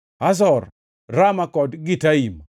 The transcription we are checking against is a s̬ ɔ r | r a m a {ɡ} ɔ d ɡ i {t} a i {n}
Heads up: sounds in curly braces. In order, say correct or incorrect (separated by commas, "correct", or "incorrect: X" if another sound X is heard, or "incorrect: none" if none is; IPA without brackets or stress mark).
incorrect: k, correct, incorrect: m